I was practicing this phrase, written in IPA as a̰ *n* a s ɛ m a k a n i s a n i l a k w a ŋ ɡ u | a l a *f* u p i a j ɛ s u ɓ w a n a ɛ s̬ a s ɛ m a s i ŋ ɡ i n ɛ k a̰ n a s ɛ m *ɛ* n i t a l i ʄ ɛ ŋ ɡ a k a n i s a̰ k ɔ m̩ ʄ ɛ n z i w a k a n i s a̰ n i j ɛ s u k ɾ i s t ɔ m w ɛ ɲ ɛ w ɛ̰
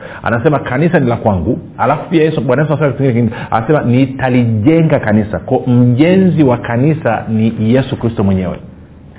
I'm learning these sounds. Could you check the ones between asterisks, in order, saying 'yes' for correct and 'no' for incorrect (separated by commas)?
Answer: yes, yes, no